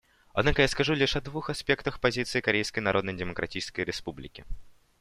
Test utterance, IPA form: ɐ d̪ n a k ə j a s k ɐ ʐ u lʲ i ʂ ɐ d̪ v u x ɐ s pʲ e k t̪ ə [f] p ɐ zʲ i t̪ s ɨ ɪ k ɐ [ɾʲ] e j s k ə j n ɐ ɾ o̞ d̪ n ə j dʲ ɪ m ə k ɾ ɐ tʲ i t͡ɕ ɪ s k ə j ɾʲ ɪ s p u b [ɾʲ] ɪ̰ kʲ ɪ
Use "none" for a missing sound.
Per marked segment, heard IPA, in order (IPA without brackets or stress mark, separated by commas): x, ɾʲ, lʲ